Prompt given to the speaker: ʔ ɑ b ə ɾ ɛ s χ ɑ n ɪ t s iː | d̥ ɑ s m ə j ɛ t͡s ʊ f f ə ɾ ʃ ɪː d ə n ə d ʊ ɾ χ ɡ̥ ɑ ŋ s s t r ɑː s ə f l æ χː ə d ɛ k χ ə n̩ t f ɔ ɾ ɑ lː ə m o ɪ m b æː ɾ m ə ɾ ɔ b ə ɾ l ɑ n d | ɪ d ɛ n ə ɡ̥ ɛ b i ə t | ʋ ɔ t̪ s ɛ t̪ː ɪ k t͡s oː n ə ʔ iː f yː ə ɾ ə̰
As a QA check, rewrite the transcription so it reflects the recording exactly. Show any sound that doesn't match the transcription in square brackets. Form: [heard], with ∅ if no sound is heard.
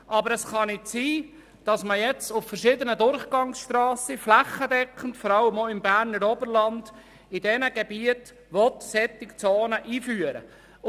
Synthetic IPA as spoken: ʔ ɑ b ə ɾ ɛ s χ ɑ n ɪ t s iː | d̥ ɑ s m ə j ɛ t͡s ʊ f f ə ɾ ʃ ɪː d ə n ə d ʊ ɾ χ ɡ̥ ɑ ŋ s [ʃ] t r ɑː s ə f l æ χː ə d ɛ k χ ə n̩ t f ɔ ɾ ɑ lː ə m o ɪ m b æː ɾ [n] ə ɾ ɔ b ə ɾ l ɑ n d | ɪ d ɛ n ə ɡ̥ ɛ b i ə t | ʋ ɔ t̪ s ɛ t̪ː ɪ k t͡s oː n ə ʔ iː f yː ə ɾ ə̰